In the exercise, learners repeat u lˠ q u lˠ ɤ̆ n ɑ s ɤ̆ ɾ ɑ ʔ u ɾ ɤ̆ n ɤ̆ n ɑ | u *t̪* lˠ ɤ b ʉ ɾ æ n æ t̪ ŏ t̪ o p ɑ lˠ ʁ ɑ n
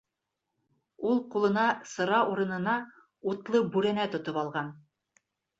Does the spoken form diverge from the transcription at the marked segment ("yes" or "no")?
no